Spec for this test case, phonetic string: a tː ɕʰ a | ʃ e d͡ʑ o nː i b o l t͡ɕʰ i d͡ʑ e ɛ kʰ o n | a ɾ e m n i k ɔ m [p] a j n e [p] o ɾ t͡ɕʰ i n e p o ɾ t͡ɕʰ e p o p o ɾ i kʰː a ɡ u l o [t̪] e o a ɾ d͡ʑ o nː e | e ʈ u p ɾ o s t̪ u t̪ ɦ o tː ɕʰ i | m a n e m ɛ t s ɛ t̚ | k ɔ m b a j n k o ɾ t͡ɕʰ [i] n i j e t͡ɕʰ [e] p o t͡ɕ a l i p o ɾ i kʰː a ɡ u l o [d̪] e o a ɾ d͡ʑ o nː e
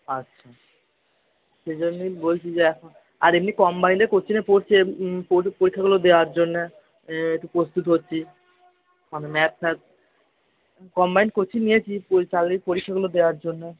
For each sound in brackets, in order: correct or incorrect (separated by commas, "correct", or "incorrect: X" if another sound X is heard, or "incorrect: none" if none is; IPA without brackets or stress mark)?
incorrect: b, incorrect: k, incorrect: d̪, correct, incorrect: i, correct